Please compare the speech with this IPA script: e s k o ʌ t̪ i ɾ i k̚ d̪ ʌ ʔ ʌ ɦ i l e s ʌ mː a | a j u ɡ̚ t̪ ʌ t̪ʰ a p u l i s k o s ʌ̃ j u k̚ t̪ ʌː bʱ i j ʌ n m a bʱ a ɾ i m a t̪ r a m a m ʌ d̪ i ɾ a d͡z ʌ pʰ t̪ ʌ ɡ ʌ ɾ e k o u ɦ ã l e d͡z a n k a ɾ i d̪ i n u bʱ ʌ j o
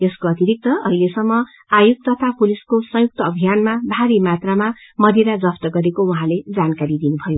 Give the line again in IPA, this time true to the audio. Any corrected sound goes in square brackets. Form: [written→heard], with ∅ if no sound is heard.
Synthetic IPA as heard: e s k o ʌ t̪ i ɾ i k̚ [d̪→t̪] ʌ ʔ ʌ ɦ i l e s ʌ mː [a→ʌ] | a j u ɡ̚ t̪ ʌ t̪ʰ a p u l i s k o s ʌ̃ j u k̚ t̪ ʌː bʱ i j [ʌ→a] n m a bʱ a ɾ i m a t̪ r a m a m ʌ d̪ i ɾ a d͡z ʌ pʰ t̪ ʌ ɡ ʌ ɾ e k o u ɦ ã l e d͡z a n k a ɾ i d̪ i n u bʱ ʌ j o